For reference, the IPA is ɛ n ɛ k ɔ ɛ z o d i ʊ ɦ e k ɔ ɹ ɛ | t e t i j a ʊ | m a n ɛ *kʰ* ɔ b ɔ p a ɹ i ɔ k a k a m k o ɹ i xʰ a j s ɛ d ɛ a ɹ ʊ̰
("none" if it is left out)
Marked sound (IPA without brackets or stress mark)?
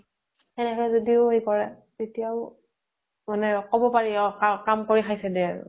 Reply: k